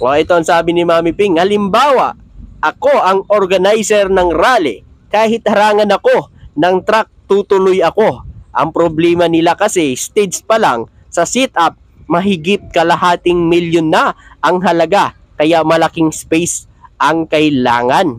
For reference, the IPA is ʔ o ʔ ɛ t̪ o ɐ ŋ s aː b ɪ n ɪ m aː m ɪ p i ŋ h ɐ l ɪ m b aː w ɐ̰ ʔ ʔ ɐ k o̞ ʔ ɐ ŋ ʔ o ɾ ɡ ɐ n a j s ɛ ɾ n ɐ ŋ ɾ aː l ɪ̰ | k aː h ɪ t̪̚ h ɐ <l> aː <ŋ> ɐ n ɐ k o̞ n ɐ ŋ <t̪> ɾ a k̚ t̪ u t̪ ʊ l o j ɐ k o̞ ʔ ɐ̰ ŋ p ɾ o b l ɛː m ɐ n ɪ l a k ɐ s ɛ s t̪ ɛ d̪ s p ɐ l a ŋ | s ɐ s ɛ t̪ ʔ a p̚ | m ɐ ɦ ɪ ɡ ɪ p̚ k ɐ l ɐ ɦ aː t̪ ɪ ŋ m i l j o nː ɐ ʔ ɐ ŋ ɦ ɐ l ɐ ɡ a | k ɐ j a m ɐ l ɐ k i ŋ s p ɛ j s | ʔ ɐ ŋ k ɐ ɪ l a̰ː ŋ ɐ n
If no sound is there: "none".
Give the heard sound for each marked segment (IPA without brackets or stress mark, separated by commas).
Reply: ɾ, ŋ, t̪